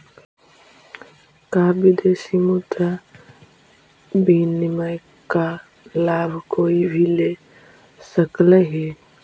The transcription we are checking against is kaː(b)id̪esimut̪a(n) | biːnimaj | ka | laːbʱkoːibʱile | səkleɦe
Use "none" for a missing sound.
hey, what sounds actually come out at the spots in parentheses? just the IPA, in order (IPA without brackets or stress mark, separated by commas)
b, none